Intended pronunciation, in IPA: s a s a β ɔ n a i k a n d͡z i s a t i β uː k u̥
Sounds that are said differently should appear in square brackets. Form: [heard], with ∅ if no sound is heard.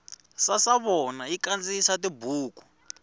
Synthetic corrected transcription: s a s a β ɔ n a i k a n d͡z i s a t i [b] uː k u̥